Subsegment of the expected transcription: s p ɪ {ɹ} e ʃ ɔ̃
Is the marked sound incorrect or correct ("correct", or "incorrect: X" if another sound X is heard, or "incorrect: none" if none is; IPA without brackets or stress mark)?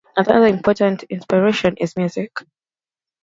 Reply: correct